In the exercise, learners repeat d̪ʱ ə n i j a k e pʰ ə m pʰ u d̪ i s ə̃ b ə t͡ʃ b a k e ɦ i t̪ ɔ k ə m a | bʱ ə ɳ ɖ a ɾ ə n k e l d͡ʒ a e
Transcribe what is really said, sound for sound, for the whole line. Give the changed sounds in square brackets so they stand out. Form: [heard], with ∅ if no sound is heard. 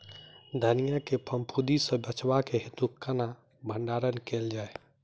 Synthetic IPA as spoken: d̪ʱ ə n i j a k e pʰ ə m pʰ u d̪ i s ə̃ b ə t͡ʃ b a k e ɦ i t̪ [u] k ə [n] a | bʱ ə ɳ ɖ a ɾ ə n k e l d͡ʒ a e

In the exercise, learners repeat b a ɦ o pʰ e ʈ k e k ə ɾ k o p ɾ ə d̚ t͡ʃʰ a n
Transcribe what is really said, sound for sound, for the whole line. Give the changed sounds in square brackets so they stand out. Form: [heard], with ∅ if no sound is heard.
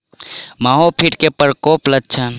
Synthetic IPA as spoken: [m] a ɦ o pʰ [i] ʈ k e [p] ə ɾ k o p [l] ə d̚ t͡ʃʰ [ə] n

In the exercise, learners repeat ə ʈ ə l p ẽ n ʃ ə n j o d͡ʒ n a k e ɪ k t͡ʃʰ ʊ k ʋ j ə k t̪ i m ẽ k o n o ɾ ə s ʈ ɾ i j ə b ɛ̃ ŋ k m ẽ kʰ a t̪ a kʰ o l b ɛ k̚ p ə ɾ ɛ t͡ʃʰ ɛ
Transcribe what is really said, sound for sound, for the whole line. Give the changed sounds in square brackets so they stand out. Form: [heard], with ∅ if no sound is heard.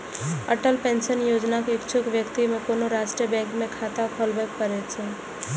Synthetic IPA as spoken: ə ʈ ə l p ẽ n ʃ ə n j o d͡ʒ n a k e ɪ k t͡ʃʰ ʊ k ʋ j ə k t̪ i m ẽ k o n o ɾ [a] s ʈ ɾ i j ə b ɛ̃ ŋ k m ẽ kʰ a t̪ a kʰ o l b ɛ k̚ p ə ɾ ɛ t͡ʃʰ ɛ

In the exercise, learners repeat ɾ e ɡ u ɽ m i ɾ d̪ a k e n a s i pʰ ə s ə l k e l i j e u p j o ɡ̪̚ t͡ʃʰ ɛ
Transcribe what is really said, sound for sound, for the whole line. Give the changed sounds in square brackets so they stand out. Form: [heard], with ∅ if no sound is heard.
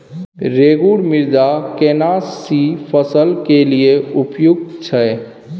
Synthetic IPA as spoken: ɾ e ɡ u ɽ m i ɾ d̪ a k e n a s i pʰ ə s ə l k e l i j e u p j [u] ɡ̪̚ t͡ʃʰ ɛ

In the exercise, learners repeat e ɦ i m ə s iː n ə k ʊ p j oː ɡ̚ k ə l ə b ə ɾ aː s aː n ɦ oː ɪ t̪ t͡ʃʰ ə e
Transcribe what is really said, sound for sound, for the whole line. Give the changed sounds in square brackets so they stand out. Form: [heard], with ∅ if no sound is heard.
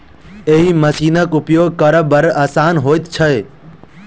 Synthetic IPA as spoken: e ɦ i m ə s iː n ə k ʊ p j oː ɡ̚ k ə [ɾ] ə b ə ɾ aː s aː n ɦ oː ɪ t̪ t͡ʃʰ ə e

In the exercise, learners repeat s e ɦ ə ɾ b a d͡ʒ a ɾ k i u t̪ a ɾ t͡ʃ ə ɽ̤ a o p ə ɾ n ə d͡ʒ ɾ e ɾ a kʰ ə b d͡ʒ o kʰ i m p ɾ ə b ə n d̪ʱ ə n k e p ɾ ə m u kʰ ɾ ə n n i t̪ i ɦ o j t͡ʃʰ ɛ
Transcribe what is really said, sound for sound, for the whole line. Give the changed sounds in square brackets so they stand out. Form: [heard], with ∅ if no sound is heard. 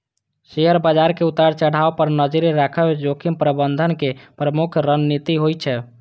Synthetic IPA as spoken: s e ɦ ə ɾ b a d͡ʒ a ɾ k [e] u t̪ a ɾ t͡ʃ ə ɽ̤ a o p ə ɾ n ə d͡ʒ ɾ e ɾ a kʰ ə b d͡ʒ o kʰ i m p ɾ ə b ə n d̪ʱ ə n k e p ɾ ə m u kʰ ɾ ə n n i t̪ i ɦ o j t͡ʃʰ ɛ

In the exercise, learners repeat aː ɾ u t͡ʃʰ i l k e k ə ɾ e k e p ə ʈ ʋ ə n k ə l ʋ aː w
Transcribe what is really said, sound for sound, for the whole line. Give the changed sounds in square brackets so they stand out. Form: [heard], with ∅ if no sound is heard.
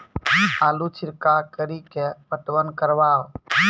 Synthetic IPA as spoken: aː [l] u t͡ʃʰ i [ɾ] k [a] k ə ɾ [i] k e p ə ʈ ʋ ə n k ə [ɾ] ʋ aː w

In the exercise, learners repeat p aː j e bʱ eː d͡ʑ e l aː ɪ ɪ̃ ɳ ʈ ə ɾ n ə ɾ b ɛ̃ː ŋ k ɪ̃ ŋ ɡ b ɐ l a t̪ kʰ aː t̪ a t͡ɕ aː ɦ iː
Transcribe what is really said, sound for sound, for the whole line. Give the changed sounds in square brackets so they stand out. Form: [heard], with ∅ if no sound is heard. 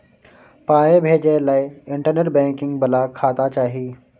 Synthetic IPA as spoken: p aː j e bʱ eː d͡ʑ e l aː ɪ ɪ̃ ɳ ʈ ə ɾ n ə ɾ b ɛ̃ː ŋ k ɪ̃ ŋ ɡ b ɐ l a [∅] kʰ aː t̪ a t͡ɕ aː ɦ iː

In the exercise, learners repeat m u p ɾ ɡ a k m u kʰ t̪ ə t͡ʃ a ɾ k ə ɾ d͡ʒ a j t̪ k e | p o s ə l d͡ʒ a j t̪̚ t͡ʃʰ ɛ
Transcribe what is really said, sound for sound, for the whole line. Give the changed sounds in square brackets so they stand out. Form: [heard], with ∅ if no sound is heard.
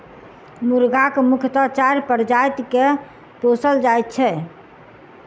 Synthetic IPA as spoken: m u [∅] ɾ ɡ a k m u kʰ t̪ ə t͡ʃ a ɾ [p] ə ɾ d͡ʒ a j t̪ k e | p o s ə l d͡ʒ a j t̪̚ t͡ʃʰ ɛ

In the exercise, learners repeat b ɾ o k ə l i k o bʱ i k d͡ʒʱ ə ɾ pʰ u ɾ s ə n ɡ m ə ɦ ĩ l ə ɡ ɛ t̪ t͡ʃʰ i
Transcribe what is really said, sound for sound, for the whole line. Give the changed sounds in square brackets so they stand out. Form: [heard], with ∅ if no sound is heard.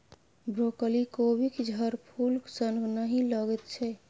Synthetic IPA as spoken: b ɾ o k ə l i k o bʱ i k d͡ʒʱ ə ɾ pʰ u [l] s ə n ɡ [n] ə ɦ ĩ l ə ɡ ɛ t̪ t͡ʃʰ [ɛ]

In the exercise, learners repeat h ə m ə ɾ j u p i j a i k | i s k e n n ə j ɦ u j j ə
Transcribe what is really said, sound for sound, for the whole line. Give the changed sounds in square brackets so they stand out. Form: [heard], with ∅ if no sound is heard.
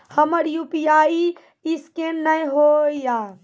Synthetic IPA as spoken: h ə m ə ɾ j u p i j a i [∅] | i s k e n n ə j ɦ [o] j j [a]

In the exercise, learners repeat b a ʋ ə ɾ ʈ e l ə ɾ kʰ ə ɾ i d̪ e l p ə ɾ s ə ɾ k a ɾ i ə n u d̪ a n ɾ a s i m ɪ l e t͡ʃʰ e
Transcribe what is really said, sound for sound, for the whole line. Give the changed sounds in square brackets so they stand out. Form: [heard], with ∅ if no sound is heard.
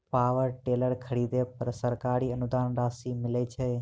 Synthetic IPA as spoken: [p] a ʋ ə ɾ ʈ e l ə ɾ kʰ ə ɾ i d̪ e [∅] p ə ɾ s ə ɾ k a ɾ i ə n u d̪ a n ɾ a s i m ɪ l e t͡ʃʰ e

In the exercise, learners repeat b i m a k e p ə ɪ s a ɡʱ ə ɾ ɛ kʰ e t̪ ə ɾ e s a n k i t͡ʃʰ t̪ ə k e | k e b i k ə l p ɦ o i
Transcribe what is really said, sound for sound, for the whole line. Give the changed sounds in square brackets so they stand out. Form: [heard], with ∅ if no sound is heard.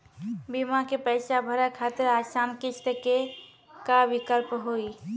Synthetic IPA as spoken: b i m a k e p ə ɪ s a [bʱ] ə ɾ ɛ kʰ [a] t̪ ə ɾ [a] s a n k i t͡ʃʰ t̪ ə k e | k [a] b i k ə l p ɦ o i

